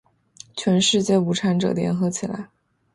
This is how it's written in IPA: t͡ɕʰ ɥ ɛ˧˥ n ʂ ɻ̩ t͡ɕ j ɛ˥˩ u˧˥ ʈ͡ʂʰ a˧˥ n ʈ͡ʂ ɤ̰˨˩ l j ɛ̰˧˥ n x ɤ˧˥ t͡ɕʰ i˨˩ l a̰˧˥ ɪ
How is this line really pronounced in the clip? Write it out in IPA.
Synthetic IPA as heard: t͡ɕʰ ɥ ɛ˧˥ n ʂ ɻ̩ t͡ɕ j ɛ˥˩ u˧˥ ʈ͡ʂʰ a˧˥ n ʈ͡ʂ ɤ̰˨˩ l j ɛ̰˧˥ n x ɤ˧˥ t͡ɕʰ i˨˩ l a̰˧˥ ɪ